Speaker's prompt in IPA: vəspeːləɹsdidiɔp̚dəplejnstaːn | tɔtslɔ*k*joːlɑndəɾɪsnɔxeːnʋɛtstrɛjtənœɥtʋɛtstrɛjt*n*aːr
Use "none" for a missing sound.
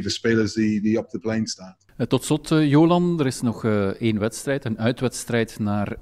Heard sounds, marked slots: t, n

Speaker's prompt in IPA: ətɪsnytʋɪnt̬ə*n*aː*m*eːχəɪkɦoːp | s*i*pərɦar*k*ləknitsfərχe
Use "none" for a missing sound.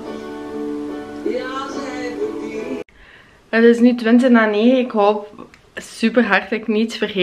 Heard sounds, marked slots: n, n, y, t

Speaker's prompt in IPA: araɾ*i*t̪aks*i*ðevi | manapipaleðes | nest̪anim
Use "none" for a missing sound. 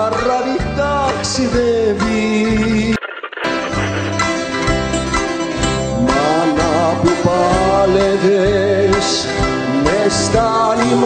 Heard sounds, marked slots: i, i

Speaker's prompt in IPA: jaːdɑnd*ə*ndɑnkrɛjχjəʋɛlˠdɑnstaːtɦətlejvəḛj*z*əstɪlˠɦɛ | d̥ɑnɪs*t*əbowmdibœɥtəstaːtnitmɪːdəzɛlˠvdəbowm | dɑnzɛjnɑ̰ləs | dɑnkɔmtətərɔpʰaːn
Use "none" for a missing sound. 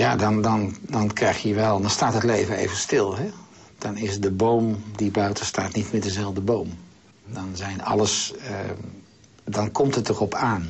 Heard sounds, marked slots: ɑ, v, d

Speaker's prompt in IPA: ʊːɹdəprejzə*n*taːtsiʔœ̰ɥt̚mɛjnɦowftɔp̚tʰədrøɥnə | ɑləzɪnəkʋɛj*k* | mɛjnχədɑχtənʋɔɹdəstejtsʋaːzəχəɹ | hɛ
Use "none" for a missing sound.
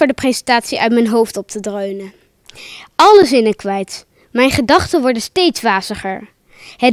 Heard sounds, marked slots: n, t

